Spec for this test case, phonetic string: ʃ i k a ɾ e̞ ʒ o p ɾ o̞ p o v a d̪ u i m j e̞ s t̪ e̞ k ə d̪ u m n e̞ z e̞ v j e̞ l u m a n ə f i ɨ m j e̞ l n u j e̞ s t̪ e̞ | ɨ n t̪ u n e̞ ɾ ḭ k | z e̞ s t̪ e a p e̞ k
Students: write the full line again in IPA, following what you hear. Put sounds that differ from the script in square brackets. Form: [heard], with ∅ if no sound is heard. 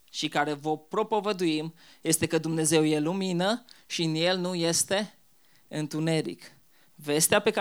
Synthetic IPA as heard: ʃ i k a ɾ e̞ [v] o p ɾ o̞ p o v [ə] d̪ u i m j e̞ s t̪ e̞ k ə d̪ u m n e̞ z e̞ [w] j e̞ l u m [i] n ə [ʃ] i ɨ [n] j e̞ l n u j e̞ s t̪ e̞ | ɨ n t̪ u n e̞ ɾ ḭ k | [v] e̞ s t̪ e a p e̞ k